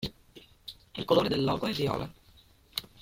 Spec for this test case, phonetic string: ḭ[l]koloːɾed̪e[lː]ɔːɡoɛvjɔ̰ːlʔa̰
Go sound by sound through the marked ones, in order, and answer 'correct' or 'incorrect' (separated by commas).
correct, correct